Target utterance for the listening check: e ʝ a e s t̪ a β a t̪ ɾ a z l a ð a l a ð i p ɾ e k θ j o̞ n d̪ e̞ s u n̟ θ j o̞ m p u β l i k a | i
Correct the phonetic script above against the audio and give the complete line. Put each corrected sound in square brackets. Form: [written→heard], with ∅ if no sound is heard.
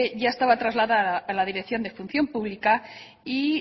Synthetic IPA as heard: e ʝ a e s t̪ a β a t̪ ɾ a z l a ð a l a ð i [p→∅] ɾ e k θ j o̞ n d̪ e̞ [s→f] u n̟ θ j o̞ m p u β l i k a | i